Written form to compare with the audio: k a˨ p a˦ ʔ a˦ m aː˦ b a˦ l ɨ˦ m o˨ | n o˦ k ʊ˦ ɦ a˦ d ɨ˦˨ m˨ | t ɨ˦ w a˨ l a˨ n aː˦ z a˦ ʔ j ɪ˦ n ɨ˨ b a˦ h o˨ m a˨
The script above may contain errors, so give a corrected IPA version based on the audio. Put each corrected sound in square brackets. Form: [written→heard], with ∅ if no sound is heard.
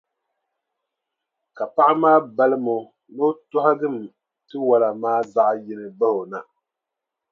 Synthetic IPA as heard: k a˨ p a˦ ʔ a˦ m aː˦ b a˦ l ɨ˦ m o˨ | n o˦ [k→t] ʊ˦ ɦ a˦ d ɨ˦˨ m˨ | t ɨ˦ w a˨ l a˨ [n→m] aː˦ z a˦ ʔ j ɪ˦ n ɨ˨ b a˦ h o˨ [m→n] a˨